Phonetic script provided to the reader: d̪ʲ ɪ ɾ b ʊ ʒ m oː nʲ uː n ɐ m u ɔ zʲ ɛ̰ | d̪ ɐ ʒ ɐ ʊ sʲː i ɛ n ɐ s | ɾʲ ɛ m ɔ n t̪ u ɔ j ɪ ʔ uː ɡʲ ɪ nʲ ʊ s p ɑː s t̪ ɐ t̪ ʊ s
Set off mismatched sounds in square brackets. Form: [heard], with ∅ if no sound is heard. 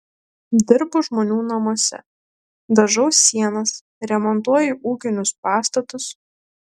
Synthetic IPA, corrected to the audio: d̪ʲ ɪ ɾ b ʊ ʒ m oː nʲ uː n ɐ m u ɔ [sʲ] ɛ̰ | d̪ ɐ ʒ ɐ ʊ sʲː i ɛ n ɐ s | ɾʲ ɛ m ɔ n t̪ u ɔ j ɪ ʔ uː [kʲ] ɪ nʲ ʊ s p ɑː s t̪ ɐ t̪ ʊ s